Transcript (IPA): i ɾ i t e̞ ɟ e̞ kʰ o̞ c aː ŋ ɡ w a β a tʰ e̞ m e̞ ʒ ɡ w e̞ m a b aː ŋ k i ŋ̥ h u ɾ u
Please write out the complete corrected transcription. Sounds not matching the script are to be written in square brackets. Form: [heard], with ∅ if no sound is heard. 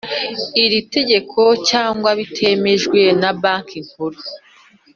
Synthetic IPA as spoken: i ɾ i t e̞ ɟ e̞ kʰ o̞ c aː ŋ ɡ w a β [i] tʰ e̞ m e̞ ʒ ɡ w e̞ [n] a b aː ŋ k i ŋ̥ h u ɾ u